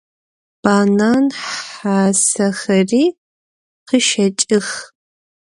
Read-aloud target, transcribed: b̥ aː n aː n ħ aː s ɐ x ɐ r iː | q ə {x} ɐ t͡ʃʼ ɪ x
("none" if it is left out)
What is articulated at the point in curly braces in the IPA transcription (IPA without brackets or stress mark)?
ʃ